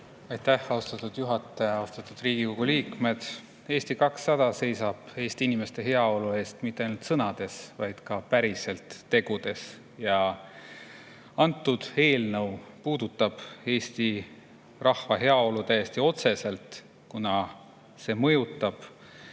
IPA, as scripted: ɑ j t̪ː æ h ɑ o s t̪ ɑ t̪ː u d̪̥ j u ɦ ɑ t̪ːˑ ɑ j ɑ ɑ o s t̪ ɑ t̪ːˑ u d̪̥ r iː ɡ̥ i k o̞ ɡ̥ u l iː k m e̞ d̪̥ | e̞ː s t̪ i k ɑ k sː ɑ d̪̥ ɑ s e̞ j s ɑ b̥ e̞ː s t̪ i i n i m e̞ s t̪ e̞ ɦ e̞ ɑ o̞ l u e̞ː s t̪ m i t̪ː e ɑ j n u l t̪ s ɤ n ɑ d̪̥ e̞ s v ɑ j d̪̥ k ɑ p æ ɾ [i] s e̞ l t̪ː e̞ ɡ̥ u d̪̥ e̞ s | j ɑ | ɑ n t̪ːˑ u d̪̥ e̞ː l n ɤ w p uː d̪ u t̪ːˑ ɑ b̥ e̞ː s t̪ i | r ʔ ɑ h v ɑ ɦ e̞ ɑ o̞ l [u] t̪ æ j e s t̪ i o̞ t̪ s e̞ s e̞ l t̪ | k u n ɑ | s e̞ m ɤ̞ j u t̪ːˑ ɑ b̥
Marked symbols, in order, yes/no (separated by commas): yes, yes